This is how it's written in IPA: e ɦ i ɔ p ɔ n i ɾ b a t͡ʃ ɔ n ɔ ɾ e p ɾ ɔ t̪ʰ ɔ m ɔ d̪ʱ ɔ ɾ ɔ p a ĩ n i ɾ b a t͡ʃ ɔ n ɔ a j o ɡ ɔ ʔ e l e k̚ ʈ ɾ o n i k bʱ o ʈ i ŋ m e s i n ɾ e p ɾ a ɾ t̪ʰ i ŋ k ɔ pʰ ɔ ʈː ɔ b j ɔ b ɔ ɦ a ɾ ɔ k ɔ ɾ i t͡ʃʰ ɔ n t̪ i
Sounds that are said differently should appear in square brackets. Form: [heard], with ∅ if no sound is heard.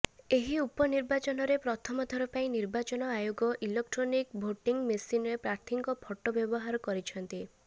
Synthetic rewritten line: e ɦ i [u] p ɔ n i ɾ b a t͡ʃ ɔ n ɔ ɾ e p ɾ ɔ t̪ʰ ɔ m ɔ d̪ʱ ɔ ɾ ɔ p a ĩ n i ɾ b a t͡ʃ ɔ n ɔ a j o ɡ ɔ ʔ [i] l e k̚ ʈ ɾ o n i k bʱ o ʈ i ŋ m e s i n ɾ e p ɾ a ɾ t̪ʰ i ŋ k ɔ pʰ ɔ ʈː ɔ b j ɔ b ɔ ɦ a ɾ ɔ k ɔ ɾ i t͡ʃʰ ɔ n t̪ i

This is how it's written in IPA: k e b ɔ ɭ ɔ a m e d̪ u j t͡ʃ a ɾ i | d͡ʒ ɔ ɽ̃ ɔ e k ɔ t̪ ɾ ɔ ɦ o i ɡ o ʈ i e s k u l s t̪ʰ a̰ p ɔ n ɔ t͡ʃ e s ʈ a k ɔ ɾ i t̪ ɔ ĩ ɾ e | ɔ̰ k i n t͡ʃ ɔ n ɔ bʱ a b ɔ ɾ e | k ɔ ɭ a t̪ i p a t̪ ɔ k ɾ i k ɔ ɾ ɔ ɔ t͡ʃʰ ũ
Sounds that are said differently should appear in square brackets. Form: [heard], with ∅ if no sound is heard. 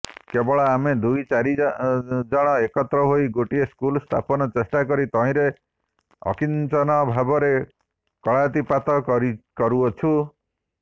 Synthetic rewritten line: k e b ɔ ɭ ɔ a m e d̪ u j t͡ʃ a ɾ i | d͡ʒ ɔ ɽ̃ ɔ e k ɔ t̪ ɾ ɔ ɦ o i ɡ o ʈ i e s k u l s t̪ʰ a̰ p ɔ n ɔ t͡ʃ e s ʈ a k ɔ ɾ i t̪ ɔ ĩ ɾ e | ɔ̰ k i n t͡ʃ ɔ n ɔ bʱ a b ɔ ɾ e | k ɔ ɭ a t̪ i p a t̪ ɔ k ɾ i k ɔ ɾ [u] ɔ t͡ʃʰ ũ

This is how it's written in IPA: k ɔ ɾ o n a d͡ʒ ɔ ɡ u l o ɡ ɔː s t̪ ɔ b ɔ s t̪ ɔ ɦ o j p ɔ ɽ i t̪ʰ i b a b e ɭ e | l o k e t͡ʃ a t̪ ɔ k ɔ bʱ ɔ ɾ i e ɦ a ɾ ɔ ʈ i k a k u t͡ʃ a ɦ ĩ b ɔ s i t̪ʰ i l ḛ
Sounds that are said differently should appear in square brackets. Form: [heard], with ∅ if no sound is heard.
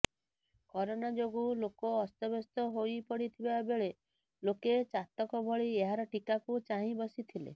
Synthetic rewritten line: k ɔ ɾ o n a d͡ʒ [o] ɡ u l o [k] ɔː s t̪ ɔ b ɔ s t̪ ɔ ɦ o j p ɔ ɽ i t̪ʰ i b a b e ɭ e | l o k e t͡ʃ a t̪ ɔ k ɔ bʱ ɔ [ɭ] i e ɦ a ɾ ɔ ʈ i k a k u t͡ʃ a ɦ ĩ b ɔ s i t̪ʰ i l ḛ

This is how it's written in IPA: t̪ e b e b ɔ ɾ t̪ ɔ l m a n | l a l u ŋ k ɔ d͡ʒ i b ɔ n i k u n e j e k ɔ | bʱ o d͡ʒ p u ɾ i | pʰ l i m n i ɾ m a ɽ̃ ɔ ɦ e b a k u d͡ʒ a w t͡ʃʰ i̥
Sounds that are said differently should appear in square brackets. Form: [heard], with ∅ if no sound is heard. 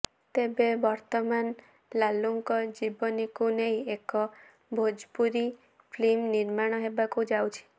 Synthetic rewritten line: t̪ e b e b ɔ ɾ t̪ ɔ [∅] m a n | l a l u ŋ k ɔ d͡ʒ i b ɔ n i k u n e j e k ɔ | bʱ o d͡ʒ p u ɾ i | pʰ l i m n i ɾ m a ɽ̃ ɔ ɦ e b a k u d͡ʒ a w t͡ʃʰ i̥

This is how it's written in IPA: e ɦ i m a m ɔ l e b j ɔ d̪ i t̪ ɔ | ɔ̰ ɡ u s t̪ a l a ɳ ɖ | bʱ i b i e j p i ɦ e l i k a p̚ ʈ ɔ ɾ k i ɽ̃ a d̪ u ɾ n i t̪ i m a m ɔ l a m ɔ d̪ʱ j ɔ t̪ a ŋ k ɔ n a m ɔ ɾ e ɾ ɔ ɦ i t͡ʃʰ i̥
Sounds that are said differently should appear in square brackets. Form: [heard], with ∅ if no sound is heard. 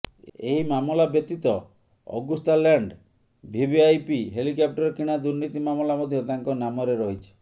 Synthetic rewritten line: e ɦ i m a m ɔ l [a] b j ɔ [t̪] i t̪ ɔ | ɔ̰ ɡ u s t̪ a l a ɳ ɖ | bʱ i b i [a] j p i ɦ e l i k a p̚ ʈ ɔ ɾ k i ɽ̃ a d̪ u ɾ n i t̪ i m a m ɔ l a m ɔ d̪ʱ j ɔ t̪ a ŋ k ɔ n a m ɔ ɾ e ɾ ɔ ɦ i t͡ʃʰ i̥

